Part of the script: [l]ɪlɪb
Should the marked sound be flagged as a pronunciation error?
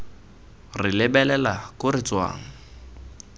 yes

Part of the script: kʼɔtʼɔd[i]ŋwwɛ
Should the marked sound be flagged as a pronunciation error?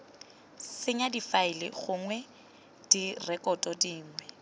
yes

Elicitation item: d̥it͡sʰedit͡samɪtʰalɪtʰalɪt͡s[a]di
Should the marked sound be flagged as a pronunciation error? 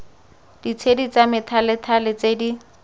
yes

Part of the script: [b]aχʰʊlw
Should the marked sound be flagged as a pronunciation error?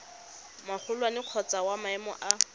yes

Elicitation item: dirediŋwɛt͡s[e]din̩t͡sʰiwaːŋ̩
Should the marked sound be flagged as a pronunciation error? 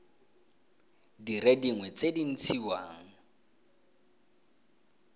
no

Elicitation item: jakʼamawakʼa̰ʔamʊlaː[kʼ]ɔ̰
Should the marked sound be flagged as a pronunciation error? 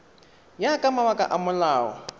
yes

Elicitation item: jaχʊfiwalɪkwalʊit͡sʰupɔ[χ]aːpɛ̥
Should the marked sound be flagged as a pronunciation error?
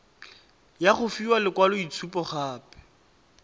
no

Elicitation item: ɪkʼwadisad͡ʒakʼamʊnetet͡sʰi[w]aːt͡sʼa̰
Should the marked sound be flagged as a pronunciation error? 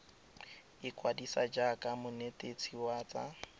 no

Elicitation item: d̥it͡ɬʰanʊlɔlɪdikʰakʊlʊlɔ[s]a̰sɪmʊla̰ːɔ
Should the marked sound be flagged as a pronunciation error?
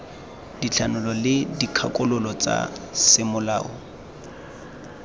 yes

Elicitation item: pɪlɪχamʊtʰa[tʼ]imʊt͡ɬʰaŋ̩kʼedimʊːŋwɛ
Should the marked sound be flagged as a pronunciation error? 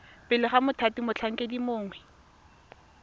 yes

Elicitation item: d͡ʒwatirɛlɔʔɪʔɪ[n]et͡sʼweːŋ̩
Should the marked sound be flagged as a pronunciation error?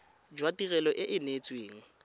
no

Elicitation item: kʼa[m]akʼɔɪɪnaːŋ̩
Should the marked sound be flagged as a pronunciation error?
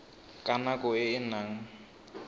yes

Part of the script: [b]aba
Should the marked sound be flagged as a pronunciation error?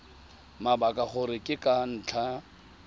yes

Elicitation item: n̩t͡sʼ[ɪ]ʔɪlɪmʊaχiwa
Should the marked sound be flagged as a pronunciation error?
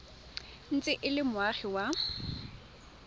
no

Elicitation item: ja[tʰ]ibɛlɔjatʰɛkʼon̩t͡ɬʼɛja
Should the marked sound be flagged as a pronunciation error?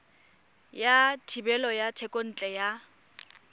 no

